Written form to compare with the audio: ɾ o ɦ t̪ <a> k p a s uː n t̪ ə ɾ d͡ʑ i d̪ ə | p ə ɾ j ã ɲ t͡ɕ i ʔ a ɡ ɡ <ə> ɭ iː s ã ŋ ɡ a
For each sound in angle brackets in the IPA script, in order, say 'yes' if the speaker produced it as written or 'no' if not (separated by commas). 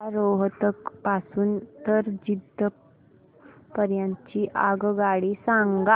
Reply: no, no